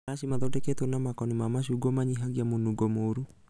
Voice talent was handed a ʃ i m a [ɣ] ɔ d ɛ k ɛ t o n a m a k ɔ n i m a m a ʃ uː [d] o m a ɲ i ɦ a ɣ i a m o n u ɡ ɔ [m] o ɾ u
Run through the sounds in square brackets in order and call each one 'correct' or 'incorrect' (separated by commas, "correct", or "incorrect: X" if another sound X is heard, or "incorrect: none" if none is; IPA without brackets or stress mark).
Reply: incorrect: ð, incorrect: ɡ, correct